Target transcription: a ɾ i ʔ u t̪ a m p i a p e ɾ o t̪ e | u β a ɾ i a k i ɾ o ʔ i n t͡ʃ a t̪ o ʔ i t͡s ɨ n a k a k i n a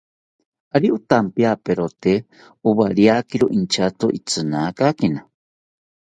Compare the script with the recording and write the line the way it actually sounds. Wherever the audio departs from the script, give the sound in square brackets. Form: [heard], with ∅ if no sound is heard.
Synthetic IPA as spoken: a ɾ i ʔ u t̪ a m p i a p e ɾ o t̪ e | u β a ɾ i a k i ɾ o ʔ i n t͡ʃ a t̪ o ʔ i t͡s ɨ n a k a k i n a